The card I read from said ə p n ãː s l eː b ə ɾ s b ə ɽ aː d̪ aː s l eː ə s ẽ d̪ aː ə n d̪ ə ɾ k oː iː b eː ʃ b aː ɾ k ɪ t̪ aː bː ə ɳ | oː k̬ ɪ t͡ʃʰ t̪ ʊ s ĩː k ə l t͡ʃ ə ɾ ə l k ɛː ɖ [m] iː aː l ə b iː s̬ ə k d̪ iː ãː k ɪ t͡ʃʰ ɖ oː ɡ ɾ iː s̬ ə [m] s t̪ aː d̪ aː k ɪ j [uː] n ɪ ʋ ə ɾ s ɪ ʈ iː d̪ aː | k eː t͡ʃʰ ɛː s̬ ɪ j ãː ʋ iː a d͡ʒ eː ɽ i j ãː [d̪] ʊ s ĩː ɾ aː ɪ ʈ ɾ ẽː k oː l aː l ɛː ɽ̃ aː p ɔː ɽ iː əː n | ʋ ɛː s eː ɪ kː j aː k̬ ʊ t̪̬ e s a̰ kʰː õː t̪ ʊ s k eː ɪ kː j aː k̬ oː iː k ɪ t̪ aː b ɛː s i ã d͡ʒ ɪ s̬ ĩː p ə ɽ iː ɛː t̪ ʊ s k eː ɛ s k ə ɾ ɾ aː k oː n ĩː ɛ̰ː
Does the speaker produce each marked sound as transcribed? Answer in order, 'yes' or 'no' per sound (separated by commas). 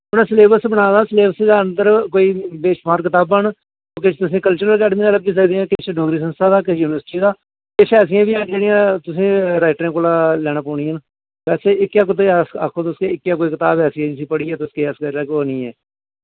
yes, no, yes, no